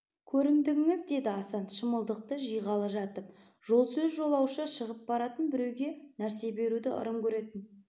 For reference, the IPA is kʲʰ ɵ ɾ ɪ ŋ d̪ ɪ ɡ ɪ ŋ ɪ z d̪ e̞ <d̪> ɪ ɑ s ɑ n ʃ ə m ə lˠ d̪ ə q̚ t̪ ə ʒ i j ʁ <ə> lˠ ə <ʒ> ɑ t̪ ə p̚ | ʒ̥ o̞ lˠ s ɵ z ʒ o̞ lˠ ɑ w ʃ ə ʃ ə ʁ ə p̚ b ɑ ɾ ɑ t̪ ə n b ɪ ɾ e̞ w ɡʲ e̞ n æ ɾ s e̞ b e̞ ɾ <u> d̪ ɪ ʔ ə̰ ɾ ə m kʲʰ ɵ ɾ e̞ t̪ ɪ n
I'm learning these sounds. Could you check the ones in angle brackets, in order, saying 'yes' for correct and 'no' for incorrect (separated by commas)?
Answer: yes, no, yes, yes